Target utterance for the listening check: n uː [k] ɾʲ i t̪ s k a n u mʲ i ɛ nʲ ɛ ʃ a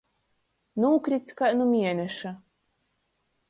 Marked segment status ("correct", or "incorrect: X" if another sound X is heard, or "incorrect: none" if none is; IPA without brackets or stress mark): correct